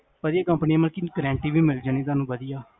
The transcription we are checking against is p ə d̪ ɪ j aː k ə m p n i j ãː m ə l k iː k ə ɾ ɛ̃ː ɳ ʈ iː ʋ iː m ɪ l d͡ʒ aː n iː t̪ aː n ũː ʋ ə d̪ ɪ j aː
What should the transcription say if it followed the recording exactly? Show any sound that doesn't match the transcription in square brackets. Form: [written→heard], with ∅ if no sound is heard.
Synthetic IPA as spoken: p ə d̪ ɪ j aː k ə m p n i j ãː m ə l k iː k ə ɾ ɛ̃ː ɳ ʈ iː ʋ iː m ɪ l d͡ʒ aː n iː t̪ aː n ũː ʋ ə d̪ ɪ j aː